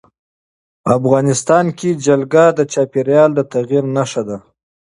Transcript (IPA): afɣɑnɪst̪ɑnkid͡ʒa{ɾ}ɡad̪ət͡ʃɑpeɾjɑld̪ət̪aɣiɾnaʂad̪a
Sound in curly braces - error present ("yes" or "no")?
yes